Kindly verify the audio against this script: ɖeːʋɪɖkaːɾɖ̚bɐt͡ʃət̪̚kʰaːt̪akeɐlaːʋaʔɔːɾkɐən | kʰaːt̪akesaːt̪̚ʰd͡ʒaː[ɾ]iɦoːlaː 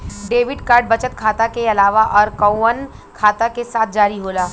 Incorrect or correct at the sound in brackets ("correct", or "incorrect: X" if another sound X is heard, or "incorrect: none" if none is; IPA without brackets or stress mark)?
correct